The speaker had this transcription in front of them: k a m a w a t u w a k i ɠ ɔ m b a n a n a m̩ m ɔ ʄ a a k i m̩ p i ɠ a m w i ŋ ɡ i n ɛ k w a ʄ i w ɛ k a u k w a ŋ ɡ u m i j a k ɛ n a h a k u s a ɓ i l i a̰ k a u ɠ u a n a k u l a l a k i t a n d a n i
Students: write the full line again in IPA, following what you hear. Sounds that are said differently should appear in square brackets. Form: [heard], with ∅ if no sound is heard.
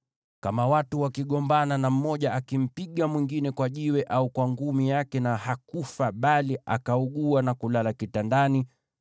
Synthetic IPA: k a m a w a t u w a k i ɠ ɔ m b a n a n a m̩ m ɔ ʄ a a k i m̩ p i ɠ a m w i ŋ ɡ i n ɛ k w a ʄ i w ɛ [ʔ] a u k w a ŋ ɡ u m i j a k ɛ n a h a k u [f] a ɓ [a] l i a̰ k a u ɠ u a n a k u l a l a k i t a n d a n i